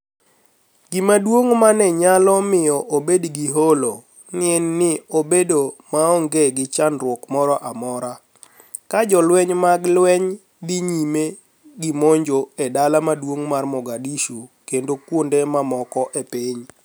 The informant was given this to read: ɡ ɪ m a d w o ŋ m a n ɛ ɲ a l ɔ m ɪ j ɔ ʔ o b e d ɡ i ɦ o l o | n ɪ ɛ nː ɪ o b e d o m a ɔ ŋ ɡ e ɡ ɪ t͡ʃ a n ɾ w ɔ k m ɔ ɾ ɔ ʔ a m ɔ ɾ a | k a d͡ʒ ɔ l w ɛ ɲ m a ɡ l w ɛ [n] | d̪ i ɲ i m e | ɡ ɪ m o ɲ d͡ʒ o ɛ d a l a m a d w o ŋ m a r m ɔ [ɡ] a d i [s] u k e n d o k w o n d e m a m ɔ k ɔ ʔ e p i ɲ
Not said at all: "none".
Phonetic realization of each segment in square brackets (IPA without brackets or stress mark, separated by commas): ɲ, ɡ, ʃ